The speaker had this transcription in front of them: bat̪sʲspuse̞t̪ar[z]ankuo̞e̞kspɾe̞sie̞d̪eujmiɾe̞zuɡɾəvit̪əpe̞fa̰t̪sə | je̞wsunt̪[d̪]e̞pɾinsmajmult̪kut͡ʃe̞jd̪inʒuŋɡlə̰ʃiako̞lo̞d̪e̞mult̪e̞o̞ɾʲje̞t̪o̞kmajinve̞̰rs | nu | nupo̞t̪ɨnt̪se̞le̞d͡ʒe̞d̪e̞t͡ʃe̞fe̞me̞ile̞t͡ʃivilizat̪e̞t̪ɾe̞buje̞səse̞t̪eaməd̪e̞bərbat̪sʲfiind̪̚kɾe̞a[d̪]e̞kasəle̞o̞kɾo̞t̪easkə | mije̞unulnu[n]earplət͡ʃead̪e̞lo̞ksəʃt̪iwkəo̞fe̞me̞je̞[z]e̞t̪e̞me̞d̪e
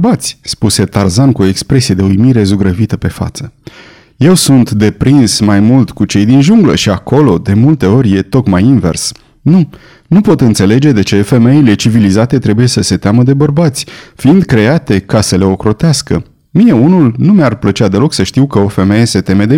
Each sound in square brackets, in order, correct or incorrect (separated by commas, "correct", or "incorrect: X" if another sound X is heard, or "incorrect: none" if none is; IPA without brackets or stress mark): correct, correct, incorrect: t̪, incorrect: m, incorrect: s